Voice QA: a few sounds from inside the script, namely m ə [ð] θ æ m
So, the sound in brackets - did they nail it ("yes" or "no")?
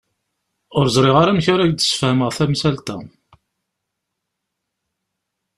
no